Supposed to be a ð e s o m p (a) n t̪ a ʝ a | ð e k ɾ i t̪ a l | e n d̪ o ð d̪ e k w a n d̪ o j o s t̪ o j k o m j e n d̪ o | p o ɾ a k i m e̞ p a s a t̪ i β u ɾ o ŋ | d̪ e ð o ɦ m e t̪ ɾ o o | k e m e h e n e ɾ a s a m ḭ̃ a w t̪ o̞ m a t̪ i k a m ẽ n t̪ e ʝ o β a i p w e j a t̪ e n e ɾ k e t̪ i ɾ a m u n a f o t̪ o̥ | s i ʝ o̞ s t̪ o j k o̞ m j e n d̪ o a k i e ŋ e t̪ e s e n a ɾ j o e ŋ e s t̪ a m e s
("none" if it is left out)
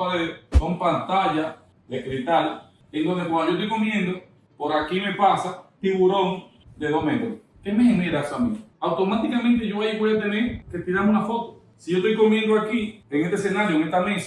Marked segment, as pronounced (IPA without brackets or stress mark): a